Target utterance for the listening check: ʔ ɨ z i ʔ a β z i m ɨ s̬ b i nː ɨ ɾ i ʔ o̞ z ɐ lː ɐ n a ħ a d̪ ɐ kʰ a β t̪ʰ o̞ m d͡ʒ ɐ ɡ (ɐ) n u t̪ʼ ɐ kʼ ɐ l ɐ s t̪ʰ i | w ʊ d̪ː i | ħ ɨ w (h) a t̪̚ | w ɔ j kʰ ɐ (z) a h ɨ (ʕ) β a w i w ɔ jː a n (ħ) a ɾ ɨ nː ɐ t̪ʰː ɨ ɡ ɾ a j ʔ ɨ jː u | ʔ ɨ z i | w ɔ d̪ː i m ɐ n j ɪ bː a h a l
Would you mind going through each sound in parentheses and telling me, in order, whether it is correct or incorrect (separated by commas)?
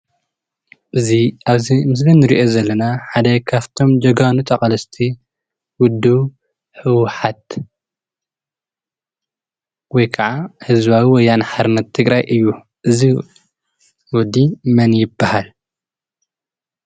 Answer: incorrect, incorrect, incorrect, incorrect, correct